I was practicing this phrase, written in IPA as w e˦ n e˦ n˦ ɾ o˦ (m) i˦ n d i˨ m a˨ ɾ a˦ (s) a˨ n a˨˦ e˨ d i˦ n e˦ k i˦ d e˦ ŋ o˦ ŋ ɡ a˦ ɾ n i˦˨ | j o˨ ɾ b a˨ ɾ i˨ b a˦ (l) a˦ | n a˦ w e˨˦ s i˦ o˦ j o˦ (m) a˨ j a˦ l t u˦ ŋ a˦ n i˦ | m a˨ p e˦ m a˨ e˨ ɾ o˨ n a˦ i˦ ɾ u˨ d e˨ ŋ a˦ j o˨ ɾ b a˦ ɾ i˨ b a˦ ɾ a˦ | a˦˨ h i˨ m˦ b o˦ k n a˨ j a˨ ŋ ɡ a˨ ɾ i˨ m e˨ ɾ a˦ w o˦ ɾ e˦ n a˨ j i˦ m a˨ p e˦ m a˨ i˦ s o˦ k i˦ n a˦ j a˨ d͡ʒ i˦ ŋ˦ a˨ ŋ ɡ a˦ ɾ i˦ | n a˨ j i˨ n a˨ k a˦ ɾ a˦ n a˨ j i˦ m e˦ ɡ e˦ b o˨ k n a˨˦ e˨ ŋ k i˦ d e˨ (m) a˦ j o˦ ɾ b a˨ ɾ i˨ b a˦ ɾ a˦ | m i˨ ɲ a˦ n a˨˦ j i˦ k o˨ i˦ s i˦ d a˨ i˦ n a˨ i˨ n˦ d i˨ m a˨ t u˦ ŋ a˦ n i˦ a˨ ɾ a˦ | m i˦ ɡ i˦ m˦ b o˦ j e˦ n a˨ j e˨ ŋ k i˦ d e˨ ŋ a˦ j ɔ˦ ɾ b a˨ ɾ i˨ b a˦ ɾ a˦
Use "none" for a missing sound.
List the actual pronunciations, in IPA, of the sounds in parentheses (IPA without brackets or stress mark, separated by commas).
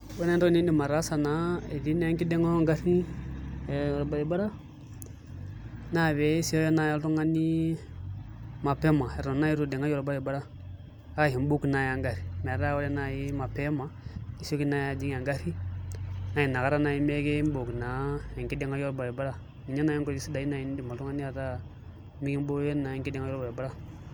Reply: n, s, ɾ, n, ŋ